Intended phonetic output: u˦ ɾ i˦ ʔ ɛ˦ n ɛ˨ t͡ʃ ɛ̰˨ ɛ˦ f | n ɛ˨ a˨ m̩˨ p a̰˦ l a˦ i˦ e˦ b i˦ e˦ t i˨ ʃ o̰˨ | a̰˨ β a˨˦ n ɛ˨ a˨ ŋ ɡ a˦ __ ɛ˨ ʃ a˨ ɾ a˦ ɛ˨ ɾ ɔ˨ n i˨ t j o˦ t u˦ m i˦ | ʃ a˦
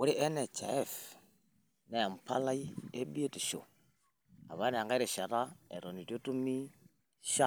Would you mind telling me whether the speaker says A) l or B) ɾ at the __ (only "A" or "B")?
B